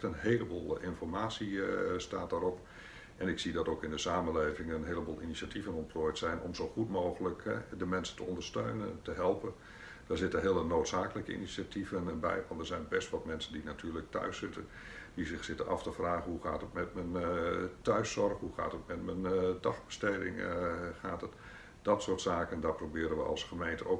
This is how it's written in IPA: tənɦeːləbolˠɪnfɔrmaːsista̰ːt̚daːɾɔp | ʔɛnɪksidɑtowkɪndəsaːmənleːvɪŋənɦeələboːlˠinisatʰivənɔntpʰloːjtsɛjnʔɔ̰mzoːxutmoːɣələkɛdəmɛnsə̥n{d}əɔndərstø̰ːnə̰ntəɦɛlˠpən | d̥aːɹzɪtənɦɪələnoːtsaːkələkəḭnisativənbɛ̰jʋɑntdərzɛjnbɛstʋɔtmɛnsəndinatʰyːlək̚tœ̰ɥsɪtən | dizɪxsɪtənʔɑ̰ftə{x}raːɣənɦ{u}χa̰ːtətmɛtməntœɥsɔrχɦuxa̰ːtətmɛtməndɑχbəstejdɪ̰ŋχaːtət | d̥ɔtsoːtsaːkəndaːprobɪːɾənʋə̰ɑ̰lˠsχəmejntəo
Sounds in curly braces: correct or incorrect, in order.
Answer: incorrect: t, incorrect: f, correct

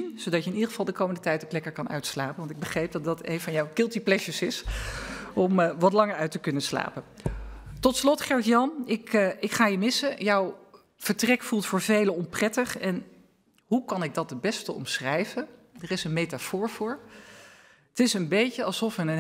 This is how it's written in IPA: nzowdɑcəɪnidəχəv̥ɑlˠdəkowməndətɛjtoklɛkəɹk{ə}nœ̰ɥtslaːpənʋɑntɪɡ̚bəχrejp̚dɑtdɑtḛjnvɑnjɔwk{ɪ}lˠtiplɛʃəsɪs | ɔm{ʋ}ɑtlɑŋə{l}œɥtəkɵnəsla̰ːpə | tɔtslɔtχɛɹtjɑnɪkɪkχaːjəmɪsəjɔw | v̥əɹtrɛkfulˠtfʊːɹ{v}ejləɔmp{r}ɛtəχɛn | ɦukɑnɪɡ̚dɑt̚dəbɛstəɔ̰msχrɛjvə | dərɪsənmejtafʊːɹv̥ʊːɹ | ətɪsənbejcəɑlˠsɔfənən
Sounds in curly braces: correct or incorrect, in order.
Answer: incorrect: ɑ, correct, correct, incorrect: ɹ, correct, correct

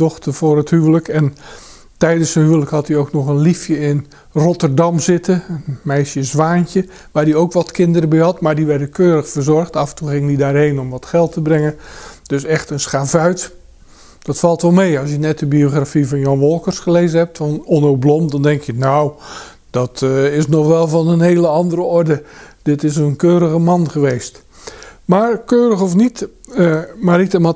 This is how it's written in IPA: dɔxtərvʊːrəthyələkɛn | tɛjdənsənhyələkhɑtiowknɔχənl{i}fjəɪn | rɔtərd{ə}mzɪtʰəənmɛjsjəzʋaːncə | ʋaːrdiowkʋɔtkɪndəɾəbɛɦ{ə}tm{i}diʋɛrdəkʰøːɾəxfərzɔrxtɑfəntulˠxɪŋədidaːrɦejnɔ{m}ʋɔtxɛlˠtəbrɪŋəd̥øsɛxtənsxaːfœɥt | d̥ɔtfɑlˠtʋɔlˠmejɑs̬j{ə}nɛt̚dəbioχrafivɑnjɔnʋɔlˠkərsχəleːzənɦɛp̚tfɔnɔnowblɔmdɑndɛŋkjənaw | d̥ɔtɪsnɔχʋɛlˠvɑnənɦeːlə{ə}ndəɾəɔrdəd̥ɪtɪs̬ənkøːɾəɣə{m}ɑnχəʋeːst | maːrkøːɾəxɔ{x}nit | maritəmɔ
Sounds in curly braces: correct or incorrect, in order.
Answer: correct, incorrect: ɑ, incorrect: ɑ, incorrect: a, correct, correct, incorrect: ɑ, correct, incorrect: f

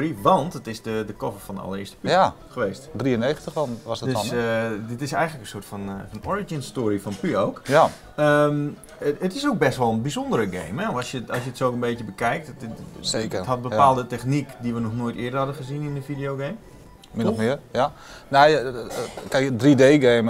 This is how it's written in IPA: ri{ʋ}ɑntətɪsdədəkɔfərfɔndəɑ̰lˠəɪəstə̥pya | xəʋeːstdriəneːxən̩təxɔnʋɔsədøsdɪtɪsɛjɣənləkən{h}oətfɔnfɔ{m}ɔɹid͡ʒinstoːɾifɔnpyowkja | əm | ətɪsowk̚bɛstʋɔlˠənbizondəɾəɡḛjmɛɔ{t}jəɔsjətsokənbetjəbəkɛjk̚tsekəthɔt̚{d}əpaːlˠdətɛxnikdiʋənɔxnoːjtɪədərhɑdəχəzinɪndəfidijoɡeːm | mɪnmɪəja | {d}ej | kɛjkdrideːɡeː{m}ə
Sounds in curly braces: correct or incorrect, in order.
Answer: correct, incorrect: s, incorrect: n, incorrect: s, incorrect: b, incorrect: n, correct

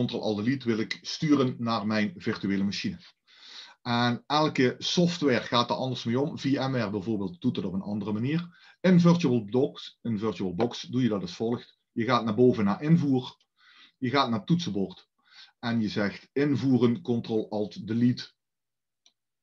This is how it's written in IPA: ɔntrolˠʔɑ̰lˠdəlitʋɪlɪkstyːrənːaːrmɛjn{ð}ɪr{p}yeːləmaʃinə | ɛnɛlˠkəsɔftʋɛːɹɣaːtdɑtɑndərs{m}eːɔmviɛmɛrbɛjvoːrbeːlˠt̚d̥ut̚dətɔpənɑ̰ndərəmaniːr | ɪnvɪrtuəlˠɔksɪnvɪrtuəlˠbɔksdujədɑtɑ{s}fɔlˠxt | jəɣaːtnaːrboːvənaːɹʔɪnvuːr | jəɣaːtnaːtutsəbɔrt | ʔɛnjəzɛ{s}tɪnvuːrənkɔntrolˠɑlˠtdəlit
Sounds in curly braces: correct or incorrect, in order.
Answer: incorrect: v, incorrect: t, correct, correct, incorrect: x

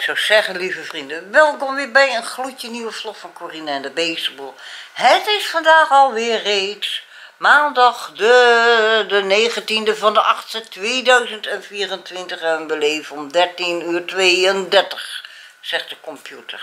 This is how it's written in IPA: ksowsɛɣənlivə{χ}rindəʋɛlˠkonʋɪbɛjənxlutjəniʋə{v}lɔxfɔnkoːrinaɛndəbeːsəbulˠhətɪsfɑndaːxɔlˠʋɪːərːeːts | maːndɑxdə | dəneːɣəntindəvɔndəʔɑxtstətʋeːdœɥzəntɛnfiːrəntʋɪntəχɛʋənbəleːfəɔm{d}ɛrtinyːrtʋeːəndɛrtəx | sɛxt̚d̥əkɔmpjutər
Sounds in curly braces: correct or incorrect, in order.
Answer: incorrect: f, incorrect: f, correct

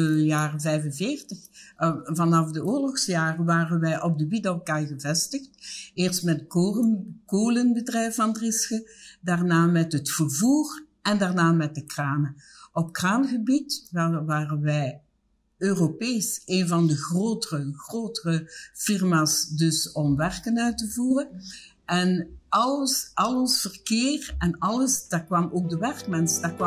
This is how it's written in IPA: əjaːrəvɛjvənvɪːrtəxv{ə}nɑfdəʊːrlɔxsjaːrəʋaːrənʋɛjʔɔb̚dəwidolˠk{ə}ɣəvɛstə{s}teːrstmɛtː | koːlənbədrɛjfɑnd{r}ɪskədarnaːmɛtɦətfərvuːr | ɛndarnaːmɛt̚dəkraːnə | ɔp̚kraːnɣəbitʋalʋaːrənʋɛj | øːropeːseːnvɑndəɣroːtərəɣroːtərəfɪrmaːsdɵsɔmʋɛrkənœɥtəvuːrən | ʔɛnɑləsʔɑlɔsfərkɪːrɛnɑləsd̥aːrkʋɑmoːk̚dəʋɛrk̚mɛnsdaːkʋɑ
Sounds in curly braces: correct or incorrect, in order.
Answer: incorrect: ɑ, incorrect: a, incorrect: x, correct

